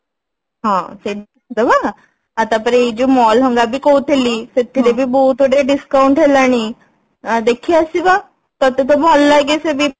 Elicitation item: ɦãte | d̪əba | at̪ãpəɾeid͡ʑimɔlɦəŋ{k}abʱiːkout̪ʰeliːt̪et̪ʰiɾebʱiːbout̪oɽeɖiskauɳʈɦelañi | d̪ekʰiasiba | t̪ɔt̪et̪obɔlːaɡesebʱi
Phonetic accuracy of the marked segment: incorrect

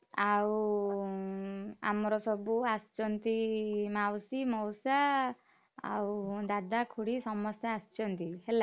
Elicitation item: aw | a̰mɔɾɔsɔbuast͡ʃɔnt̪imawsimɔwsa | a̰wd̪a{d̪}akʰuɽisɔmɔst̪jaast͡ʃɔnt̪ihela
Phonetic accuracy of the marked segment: correct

